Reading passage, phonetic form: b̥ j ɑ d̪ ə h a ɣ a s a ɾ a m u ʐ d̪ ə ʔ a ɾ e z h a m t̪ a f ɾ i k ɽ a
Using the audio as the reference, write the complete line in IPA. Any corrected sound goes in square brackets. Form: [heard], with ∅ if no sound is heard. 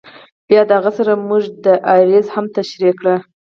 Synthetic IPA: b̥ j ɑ d̪ ə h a ɣ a s a ɾ a m u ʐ d̪ ə ʔ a ɾ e z h a m t̪ a [ʃ] ɾ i k ɽ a